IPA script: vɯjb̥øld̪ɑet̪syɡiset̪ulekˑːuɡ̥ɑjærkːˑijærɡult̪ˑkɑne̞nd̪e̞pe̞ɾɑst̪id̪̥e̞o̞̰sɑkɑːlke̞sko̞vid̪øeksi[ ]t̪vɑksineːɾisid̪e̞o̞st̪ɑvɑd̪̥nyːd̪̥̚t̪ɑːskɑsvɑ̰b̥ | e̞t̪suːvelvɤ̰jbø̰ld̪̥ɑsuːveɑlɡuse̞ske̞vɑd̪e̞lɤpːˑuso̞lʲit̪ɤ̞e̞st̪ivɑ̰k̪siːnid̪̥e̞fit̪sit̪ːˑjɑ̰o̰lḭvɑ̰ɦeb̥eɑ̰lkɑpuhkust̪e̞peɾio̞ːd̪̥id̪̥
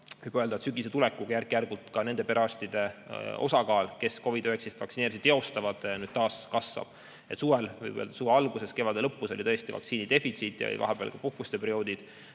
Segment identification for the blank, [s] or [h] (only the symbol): s